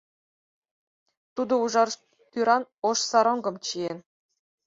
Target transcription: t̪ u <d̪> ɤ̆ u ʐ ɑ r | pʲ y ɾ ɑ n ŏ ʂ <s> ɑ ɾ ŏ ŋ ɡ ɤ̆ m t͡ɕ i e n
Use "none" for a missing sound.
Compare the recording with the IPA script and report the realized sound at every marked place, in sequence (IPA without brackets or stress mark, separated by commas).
d̪, s